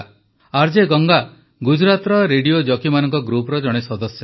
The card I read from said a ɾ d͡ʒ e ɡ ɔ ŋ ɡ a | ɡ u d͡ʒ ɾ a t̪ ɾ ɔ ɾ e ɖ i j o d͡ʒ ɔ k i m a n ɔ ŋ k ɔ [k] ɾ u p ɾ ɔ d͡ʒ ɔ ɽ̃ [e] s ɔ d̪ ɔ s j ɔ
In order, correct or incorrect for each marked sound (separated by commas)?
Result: incorrect, correct